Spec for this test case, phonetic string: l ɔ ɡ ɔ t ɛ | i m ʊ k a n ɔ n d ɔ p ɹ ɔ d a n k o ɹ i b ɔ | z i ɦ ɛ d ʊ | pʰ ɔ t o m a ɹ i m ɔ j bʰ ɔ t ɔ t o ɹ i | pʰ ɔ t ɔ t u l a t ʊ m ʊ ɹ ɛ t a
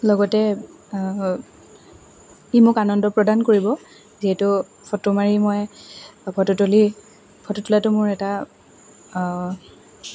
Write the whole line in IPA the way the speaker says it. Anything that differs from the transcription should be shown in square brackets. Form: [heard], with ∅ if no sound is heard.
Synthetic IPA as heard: l ɔ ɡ ɔ t ɛ | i m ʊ k a n ɔ n d ɔ p ɹ ɔ d a n k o ɹ i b ɔ | z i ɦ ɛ [t] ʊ | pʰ ɔ t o m a ɹ i m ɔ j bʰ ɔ t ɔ t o [l] i | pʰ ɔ t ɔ t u l a t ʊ m ʊ ɹ ɛ t a